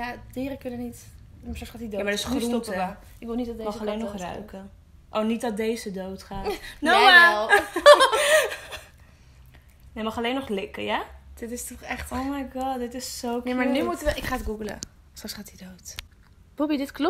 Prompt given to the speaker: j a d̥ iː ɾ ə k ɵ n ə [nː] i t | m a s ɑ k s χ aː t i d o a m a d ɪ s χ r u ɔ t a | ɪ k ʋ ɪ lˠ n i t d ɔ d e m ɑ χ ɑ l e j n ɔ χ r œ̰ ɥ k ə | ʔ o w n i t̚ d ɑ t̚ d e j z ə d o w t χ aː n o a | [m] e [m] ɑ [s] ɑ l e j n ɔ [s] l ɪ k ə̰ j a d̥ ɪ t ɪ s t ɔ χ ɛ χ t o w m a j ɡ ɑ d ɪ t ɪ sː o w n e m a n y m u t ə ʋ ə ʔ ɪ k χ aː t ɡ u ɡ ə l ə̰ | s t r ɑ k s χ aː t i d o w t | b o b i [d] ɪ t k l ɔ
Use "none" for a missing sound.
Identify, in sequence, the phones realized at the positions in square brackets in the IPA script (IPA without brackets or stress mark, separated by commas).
n, n, m, χ, χ, d